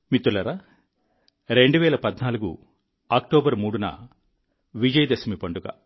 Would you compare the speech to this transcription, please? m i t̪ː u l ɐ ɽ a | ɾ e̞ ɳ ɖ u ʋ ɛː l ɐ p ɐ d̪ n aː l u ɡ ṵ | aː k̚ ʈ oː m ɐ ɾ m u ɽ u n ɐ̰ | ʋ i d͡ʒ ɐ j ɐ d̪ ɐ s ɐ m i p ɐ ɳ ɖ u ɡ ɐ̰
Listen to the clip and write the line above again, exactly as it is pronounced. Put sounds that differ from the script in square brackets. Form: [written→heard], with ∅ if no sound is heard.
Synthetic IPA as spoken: m i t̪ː u l ɐ [ɽ→ɾ] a | ɾ e̞ ɳ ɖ u ʋ ɛː l ɐ p ɐ d̪ n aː l u ɡ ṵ | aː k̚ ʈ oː [m→b] ɐ ɾ m [u→uː] ɽ u n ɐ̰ | ʋ i d͡ʒ ɐ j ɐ d̪ ɐ s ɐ m i p ɐ ɳ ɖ u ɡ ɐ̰